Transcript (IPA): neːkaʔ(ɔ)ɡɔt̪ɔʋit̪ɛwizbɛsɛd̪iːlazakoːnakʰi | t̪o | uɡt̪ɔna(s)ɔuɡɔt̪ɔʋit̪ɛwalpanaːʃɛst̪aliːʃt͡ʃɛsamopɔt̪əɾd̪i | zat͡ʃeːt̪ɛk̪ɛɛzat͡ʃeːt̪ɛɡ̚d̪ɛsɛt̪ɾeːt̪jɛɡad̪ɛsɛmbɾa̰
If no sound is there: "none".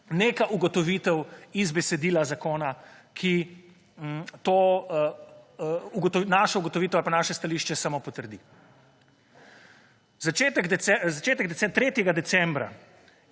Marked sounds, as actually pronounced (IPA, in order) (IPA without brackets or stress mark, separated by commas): u, ʃ